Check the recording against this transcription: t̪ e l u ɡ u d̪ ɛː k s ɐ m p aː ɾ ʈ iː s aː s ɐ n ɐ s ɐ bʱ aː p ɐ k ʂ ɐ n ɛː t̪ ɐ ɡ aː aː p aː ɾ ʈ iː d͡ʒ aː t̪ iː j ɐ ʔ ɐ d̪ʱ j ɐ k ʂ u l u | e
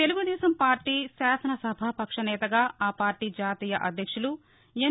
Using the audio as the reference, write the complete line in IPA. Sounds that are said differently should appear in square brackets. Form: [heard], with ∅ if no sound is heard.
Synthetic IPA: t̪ e l u ɡ u d̪ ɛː [∅] s ɐ m p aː ɾ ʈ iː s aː s ɐ n ɐ s ɐ bʱ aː p ɐ k ʂ ɐ n ɛː t̪ ɐ ɡ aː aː p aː ɾ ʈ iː d͡ʒ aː t̪ iː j ɐ ʔ ɐ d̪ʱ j ɐ k ʂ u l u | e